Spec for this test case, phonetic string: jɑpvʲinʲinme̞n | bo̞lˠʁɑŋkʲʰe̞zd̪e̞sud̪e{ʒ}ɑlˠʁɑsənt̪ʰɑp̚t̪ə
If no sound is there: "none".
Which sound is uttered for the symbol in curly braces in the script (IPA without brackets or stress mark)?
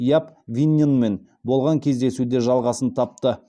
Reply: ʒ